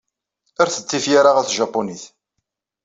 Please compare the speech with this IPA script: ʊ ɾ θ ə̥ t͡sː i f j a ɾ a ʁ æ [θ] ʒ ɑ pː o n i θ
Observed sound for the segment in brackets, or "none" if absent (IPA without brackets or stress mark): θ